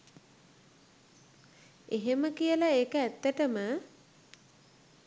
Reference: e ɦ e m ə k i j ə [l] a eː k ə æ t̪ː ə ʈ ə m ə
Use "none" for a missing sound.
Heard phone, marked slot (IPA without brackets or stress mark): l